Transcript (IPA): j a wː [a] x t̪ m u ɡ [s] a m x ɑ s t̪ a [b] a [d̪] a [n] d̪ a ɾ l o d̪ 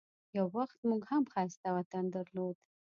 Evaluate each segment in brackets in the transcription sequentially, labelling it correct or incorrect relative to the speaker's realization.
correct, incorrect, incorrect, incorrect, correct

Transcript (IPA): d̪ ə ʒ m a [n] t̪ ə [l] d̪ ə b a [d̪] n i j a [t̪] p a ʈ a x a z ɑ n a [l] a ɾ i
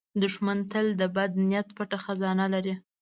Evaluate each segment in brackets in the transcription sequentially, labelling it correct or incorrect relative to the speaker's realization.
correct, correct, correct, correct, correct

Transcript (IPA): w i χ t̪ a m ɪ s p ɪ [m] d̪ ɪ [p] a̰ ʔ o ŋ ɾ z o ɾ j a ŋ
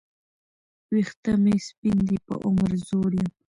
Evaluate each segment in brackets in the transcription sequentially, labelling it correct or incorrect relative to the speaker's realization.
incorrect, correct

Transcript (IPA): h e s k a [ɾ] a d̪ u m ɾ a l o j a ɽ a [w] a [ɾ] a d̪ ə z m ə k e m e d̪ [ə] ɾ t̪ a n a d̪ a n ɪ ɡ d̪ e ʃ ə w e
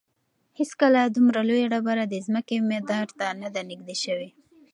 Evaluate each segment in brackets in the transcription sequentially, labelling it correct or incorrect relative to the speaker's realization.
incorrect, incorrect, correct, incorrect

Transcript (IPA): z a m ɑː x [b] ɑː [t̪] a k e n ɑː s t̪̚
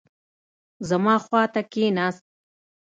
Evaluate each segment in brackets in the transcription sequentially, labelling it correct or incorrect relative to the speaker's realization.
incorrect, correct

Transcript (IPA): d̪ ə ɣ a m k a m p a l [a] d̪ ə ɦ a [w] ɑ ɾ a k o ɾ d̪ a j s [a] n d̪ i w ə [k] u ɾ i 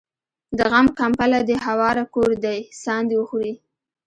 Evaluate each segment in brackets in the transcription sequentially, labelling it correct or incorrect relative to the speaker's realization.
correct, correct, incorrect, incorrect

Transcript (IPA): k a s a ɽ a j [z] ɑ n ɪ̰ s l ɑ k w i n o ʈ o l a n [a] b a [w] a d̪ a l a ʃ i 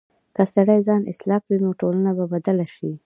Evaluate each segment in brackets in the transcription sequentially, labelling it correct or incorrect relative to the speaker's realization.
correct, correct, incorrect

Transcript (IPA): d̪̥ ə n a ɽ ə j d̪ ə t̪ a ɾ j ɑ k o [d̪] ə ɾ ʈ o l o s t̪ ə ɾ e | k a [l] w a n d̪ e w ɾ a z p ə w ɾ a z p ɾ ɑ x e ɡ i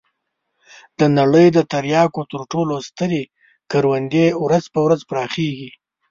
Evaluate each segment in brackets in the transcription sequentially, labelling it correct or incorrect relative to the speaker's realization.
incorrect, incorrect

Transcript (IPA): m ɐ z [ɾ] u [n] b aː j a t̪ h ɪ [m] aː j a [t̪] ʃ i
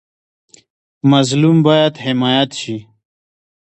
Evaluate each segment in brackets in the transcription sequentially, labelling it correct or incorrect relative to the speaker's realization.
incorrect, incorrect, correct, correct

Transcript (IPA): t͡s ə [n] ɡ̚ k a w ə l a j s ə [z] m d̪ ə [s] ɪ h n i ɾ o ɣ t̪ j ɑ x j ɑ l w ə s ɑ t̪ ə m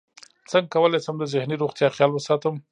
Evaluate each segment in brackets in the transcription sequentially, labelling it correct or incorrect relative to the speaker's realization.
incorrect, incorrect, incorrect

